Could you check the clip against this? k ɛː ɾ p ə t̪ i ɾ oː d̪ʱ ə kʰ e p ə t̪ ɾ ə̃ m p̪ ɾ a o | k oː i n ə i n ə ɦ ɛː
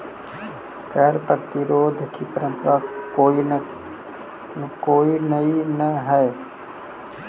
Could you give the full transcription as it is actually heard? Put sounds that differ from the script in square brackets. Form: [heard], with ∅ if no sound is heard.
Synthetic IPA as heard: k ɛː ɾ p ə t̪ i ɾ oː d̪ʱ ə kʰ [i] p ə [∅] ɾ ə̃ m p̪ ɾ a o | k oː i n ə i n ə ɦ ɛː